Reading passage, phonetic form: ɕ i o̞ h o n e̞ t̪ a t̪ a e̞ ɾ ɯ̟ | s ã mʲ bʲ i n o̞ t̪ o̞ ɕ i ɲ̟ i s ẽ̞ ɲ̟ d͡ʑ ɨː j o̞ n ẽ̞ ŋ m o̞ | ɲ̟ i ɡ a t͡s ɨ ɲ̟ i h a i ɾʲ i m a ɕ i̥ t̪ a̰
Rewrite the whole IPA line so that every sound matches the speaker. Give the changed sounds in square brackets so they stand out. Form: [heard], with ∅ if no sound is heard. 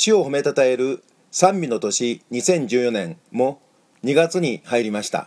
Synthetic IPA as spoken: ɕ i o̞ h o [m] e̞ t̪ a t̪ a e̞ ɾ ɯ̟ | s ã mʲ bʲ i n o̞ t̪ o̞ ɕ i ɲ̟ i s ẽ̞ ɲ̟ d͡ʑ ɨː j o̞ n ẽ̞ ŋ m o̞ | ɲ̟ i ɡ a t͡s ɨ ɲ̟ i h a i ɾʲ i m a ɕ i̥ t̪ a̰